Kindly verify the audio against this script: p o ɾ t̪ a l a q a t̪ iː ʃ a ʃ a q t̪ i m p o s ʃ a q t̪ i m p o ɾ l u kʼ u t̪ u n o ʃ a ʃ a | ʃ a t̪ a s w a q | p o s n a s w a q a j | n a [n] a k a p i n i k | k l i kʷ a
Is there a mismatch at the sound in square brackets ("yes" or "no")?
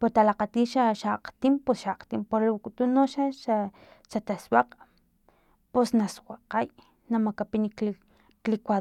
yes